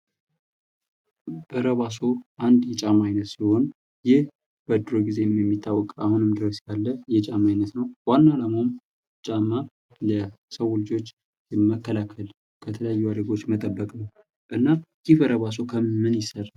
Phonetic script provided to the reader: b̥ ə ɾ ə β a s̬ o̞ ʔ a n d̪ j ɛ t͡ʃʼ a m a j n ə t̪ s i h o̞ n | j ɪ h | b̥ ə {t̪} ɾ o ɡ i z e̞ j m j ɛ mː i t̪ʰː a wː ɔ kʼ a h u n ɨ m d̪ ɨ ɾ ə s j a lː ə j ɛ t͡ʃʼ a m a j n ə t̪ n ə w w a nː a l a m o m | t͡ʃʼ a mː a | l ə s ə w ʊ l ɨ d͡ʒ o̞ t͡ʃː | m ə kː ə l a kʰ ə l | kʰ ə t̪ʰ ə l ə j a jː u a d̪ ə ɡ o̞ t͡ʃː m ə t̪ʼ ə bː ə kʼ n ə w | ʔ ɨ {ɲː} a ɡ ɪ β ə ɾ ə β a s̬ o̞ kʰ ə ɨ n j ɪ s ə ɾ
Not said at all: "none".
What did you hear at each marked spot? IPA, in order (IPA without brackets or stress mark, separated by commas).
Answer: d̪, nː